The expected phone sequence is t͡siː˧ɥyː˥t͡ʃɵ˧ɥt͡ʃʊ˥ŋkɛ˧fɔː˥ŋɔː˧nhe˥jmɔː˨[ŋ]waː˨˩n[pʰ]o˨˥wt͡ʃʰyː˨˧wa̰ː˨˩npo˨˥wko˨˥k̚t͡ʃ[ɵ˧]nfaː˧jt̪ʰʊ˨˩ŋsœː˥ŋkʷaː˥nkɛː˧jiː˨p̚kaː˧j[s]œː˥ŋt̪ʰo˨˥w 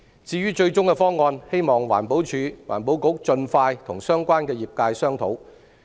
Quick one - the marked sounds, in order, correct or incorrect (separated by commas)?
correct, incorrect, correct, correct